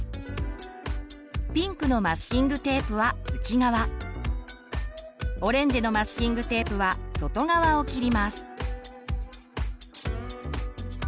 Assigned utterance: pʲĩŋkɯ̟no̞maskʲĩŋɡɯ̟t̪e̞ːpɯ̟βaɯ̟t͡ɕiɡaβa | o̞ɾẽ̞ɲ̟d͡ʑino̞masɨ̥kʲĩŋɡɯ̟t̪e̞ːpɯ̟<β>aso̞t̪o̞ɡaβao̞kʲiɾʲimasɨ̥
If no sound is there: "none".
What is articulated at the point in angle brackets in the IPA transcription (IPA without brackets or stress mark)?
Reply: β